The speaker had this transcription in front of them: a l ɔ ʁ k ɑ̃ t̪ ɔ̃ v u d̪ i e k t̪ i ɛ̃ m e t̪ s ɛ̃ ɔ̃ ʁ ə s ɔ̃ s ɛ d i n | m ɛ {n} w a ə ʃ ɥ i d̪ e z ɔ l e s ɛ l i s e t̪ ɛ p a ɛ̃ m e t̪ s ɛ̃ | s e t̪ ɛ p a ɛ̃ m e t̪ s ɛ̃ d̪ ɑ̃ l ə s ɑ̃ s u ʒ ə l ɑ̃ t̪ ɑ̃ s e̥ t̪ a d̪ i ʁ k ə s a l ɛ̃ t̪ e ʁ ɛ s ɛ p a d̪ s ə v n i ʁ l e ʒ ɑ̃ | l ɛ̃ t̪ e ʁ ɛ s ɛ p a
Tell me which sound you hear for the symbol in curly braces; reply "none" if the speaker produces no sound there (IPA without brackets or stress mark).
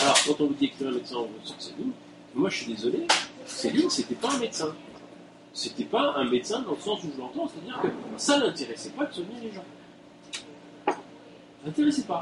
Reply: m